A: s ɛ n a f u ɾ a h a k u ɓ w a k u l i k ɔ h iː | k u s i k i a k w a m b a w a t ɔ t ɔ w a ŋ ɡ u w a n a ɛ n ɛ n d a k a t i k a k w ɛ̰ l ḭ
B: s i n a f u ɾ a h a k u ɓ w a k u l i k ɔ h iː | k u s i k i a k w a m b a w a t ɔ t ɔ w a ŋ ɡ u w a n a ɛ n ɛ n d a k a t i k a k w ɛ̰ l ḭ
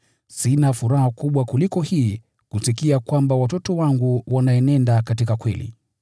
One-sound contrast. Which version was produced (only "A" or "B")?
B